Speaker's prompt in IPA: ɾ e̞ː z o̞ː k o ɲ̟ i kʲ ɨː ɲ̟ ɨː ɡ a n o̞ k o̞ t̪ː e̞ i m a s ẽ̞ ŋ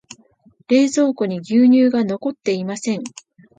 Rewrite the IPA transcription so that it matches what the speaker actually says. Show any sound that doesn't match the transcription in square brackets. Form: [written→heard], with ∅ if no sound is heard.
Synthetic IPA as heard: ɾ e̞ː z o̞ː k o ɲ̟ i [kʲ→ɡʲ] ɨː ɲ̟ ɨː ɡ a n o̞ k o̞ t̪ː e̞ i m a s ẽ̞ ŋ